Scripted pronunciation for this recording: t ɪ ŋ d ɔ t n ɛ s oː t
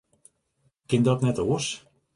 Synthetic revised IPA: k ɪ n d ɔ t n ɛ t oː s